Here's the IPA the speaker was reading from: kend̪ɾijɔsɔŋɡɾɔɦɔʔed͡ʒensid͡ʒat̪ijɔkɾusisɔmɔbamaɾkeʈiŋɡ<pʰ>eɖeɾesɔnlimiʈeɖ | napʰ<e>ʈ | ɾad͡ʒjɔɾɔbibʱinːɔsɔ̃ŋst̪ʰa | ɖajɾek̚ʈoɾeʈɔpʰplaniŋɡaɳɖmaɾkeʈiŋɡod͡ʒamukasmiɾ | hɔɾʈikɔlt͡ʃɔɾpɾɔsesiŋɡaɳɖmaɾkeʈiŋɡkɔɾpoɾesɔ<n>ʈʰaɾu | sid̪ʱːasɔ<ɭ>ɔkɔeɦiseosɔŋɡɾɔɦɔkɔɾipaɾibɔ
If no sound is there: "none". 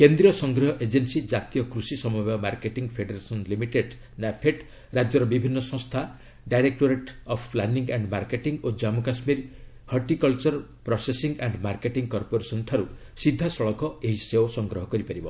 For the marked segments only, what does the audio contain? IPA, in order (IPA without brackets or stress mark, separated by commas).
pʰ, e, n, ɭ